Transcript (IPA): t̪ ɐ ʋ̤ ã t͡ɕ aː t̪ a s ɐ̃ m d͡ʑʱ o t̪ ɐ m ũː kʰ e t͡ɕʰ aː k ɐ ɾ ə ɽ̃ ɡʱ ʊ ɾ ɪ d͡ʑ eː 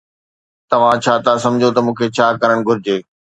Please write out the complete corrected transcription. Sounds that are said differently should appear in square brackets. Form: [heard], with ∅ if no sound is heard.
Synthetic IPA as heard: t̪ ɐ ʋ̤ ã [t͡ɕʰ] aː t̪ a s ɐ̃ m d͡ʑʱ o t̪ ɐ m ũː kʰ e t͡ɕʰ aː k ɐ ɾ ə ɽ̃ ɡʱ ʊ ɾ ɪ d͡ʑ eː